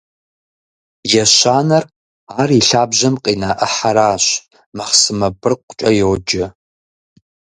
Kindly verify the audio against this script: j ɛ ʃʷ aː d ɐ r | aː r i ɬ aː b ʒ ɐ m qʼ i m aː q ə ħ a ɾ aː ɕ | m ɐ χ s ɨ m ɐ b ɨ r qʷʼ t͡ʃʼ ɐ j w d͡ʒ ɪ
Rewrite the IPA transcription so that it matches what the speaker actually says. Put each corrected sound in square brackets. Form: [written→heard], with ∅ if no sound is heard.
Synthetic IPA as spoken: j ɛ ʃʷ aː [d→n] ɐ r | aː r i ɬ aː b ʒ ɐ m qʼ i [m→n] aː [q→ʔ] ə ħ a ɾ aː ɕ | m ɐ χ s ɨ m ɐ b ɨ r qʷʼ t͡ʃʼ ɐ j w d͡ʒ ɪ